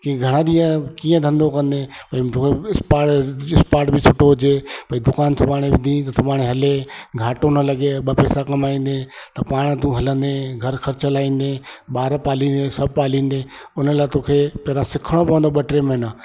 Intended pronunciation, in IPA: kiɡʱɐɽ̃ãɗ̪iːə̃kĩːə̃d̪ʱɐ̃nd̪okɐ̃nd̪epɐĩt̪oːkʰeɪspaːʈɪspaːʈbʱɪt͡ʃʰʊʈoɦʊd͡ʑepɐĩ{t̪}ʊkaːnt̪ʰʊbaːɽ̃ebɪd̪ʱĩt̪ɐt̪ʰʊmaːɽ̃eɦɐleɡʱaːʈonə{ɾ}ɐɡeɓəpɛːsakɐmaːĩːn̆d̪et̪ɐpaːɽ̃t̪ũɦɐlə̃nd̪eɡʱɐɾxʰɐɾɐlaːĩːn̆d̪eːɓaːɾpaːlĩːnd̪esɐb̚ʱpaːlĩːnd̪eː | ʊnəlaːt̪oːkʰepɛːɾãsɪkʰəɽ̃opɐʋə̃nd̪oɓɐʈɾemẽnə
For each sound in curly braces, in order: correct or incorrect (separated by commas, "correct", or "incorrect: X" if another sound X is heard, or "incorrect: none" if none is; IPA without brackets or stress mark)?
incorrect: d̪, incorrect: l